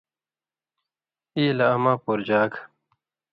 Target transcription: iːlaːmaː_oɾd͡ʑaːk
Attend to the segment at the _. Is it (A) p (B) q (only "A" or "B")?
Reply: A